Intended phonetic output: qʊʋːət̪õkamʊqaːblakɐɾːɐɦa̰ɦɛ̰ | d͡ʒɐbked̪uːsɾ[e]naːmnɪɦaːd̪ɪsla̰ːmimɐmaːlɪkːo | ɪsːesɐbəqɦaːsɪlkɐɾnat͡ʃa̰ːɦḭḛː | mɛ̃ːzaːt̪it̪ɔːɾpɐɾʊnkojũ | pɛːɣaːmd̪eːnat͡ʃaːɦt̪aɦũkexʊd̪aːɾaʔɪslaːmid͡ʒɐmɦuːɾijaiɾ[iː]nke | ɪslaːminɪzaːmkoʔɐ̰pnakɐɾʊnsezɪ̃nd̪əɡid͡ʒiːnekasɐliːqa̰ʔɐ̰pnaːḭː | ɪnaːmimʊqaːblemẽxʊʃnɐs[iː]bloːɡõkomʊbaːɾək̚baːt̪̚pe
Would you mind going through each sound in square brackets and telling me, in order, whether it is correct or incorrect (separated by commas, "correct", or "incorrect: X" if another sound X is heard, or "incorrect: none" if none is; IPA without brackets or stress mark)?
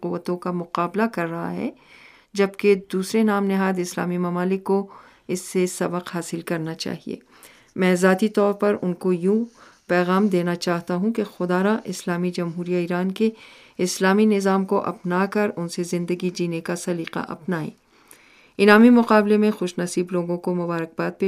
correct, incorrect: aː, correct